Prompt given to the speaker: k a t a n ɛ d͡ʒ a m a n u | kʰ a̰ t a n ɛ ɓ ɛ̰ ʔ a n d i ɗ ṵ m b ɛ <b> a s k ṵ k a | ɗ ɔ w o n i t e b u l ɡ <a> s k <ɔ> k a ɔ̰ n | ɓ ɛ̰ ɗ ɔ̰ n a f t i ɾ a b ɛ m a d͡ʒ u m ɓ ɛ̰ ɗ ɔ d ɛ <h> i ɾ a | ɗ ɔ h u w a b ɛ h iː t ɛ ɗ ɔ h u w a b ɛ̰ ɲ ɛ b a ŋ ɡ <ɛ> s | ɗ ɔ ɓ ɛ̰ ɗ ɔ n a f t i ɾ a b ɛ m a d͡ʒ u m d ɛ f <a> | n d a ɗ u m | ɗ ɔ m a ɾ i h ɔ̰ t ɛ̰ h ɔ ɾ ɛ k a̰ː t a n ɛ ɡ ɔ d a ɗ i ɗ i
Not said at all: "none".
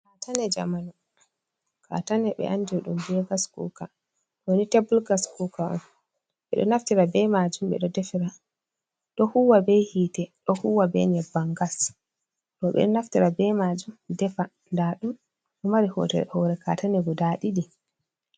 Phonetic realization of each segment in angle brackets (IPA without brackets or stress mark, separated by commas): ɡ, a, u, f, a, a